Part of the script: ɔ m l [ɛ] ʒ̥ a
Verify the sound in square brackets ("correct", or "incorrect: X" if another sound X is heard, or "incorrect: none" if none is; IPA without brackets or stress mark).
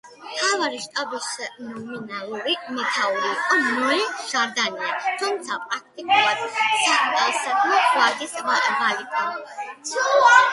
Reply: correct